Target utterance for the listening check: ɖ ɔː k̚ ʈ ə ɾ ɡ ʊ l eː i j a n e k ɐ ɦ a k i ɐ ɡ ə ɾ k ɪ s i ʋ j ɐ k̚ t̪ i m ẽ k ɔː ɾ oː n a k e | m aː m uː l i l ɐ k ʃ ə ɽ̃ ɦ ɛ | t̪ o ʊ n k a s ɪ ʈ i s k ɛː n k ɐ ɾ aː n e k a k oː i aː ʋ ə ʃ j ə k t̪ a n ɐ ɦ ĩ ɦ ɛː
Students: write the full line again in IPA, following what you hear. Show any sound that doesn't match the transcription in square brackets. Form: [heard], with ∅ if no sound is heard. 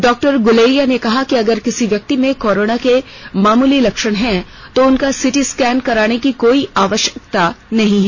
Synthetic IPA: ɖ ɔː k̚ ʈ ə ɾ ɡ ʊ l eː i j a n e k ɐ ɦ a k i ɐ ɡ ə ɾ k ɪ s i ʋ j ɐ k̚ t̪ i m ẽ k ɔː ɾ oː n a k e | m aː m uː l i l ɐ k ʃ ə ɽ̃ ɦ ɛ | t̪ o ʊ n k a s ɪ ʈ i s k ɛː n k ɐ ɾ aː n e k [i] k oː i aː ʋ ə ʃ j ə k t̪ a n ɐ ɦ ĩ ɦ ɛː